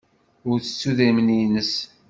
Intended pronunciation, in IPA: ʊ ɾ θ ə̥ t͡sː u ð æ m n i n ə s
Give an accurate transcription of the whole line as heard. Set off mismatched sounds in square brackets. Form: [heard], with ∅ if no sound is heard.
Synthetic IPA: ʊ ɾ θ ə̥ t͡sː u ð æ m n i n ə s

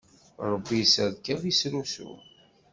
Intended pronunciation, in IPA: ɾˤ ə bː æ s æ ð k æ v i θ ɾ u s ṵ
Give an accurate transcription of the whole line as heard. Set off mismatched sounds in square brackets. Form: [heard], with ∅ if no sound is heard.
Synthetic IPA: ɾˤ ə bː [i] s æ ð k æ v i [s] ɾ u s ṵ

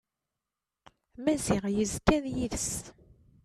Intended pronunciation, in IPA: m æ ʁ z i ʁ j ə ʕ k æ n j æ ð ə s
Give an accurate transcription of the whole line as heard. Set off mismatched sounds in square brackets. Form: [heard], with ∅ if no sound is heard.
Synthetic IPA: m æ [∅] z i ʁ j ə [z] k æ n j [i] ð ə s

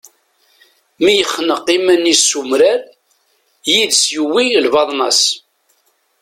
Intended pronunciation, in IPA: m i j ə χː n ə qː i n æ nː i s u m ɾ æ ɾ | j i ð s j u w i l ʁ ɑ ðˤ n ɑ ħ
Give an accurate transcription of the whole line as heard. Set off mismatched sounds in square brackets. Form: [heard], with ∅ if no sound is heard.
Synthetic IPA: m i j ə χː n ə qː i [m] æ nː i s u m ɾ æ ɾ | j i ð s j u w i l [v] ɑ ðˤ n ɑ [s]

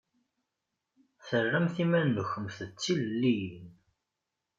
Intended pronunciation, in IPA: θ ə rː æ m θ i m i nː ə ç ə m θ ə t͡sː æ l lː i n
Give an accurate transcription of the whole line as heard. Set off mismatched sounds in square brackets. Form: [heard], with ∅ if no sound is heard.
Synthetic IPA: θ ə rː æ m θ i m [æ] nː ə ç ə m θ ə t͡sː [i] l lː i n

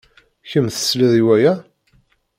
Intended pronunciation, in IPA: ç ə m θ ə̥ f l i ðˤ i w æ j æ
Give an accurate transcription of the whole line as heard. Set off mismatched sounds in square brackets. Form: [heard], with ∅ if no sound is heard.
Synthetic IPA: ç ə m θ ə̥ [s] l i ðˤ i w æ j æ

